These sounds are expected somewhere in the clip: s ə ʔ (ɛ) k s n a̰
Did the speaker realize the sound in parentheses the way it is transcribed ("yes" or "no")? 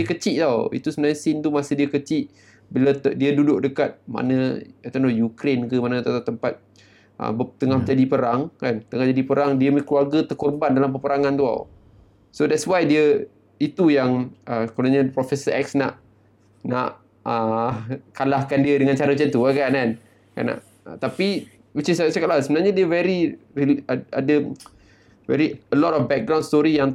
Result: yes